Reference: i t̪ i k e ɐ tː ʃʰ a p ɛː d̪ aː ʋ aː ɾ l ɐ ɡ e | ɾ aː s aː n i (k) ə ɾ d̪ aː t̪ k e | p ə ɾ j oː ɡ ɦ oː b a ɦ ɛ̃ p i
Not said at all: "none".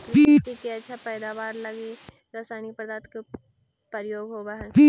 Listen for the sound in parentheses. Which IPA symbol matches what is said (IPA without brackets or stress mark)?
p